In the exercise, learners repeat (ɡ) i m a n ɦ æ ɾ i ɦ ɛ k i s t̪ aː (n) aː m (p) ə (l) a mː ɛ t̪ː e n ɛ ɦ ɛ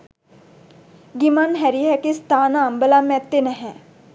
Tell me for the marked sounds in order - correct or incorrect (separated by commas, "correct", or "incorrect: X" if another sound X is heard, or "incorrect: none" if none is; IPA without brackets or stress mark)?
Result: correct, correct, incorrect: b, correct